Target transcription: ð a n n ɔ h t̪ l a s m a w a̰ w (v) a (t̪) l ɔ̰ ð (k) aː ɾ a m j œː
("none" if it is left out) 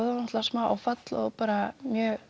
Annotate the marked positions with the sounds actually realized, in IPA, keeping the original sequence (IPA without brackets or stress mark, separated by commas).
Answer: f, t̪, p